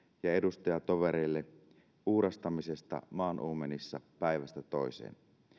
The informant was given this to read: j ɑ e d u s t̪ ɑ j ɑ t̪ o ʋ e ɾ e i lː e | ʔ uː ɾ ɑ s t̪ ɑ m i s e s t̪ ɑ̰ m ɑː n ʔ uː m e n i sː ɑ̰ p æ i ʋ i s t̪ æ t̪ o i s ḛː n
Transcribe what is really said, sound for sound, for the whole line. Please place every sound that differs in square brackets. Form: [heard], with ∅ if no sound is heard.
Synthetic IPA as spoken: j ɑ e d u s t̪ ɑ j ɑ t̪ o ʋ e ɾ e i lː e | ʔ uː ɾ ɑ s t̪ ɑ m i s e s t̪ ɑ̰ m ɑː n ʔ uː m e n i sː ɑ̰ p æ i ʋ [æ] s t̪ æ t̪ o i s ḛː n